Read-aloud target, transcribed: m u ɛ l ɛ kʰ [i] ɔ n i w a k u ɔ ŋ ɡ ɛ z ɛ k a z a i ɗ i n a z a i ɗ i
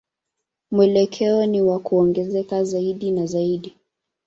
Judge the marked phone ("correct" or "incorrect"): incorrect